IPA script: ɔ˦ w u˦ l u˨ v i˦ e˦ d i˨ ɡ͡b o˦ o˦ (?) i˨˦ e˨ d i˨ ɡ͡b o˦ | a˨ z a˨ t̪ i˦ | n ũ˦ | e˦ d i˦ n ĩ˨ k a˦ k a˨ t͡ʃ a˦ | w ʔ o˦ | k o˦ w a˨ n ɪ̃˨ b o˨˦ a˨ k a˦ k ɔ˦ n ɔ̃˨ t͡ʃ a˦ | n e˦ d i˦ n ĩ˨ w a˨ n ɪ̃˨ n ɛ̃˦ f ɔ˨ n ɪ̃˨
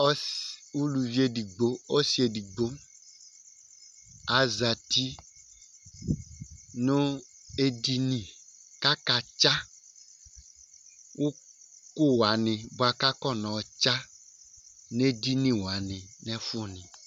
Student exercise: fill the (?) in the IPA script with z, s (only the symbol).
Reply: s